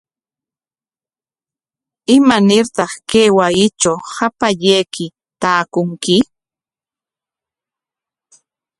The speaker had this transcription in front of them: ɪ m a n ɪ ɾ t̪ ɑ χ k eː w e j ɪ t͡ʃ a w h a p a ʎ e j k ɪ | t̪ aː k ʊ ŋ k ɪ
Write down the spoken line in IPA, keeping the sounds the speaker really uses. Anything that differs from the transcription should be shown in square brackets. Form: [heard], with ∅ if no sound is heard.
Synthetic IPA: ɪ m a n ɪ ɾ t̪ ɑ χ k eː w [a] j ɪ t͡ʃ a w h a p a ʎ e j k ɪ | t̪ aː k ʊ ŋ k ɪ